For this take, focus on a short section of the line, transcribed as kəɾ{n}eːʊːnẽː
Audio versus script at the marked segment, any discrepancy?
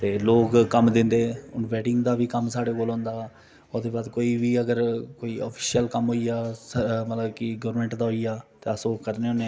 no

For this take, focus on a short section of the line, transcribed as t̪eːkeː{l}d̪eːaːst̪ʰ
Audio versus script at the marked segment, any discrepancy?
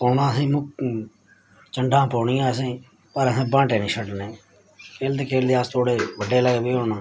no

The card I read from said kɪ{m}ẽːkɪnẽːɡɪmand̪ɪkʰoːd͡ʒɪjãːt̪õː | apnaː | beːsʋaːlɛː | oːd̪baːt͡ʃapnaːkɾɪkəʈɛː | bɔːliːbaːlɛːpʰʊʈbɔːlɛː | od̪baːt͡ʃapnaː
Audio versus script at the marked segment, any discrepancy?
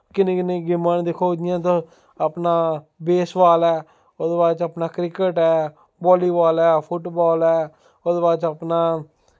yes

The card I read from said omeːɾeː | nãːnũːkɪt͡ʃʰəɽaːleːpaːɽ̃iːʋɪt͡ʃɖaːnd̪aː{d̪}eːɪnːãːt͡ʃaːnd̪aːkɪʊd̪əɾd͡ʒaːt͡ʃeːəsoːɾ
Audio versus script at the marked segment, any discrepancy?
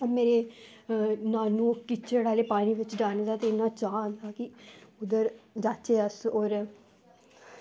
yes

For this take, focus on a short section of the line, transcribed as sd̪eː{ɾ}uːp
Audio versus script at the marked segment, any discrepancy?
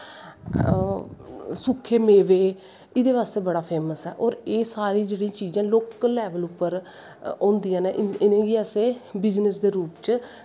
no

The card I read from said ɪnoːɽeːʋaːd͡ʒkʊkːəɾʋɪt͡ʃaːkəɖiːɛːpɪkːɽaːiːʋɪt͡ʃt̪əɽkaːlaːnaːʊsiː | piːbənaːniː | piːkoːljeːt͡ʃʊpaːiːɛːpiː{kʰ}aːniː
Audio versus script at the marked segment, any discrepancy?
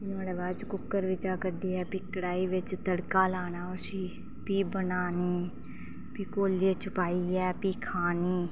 no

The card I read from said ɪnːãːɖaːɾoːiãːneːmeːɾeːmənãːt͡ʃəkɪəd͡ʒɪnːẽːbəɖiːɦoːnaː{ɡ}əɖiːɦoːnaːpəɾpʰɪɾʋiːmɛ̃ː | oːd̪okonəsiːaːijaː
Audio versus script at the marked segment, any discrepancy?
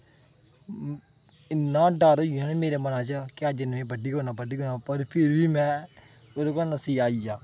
yes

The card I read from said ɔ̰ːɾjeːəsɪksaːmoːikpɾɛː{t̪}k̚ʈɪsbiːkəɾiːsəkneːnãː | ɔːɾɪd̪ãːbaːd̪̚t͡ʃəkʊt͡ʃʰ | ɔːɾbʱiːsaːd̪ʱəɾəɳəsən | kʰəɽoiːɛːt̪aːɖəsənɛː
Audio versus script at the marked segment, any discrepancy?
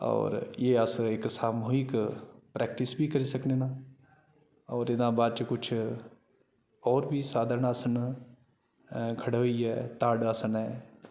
yes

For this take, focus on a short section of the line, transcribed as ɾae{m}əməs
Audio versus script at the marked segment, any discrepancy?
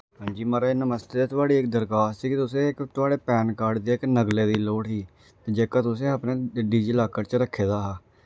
yes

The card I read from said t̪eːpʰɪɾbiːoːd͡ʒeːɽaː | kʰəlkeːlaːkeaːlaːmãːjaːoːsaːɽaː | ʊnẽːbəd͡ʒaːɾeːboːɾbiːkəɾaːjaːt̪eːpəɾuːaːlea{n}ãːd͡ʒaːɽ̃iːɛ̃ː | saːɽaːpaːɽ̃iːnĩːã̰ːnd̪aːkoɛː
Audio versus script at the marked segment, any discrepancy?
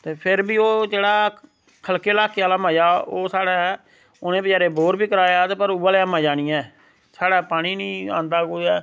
yes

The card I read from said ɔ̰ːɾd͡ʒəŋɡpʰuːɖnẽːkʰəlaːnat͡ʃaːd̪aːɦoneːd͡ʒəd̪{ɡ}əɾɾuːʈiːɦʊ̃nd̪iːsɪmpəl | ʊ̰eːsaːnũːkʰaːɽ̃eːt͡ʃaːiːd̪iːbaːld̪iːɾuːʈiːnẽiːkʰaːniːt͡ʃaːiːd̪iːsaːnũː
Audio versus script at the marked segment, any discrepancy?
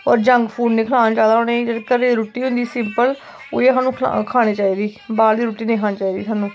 yes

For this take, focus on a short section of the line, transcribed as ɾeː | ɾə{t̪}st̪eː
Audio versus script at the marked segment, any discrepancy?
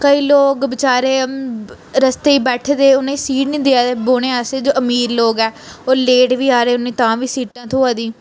yes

